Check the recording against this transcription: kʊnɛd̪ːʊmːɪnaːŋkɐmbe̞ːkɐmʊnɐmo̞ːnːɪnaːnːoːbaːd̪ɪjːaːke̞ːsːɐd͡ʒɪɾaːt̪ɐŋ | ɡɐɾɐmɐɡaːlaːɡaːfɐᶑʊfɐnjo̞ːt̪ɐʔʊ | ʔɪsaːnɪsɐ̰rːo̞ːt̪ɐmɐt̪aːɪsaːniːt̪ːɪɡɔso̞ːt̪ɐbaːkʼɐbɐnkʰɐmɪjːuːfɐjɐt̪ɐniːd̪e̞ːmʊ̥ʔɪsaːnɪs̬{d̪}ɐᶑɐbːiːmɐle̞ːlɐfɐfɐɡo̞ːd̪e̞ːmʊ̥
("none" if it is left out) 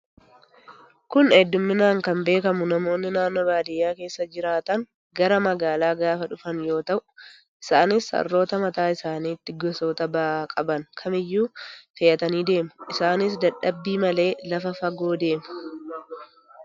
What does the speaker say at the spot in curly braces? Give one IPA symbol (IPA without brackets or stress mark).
d̪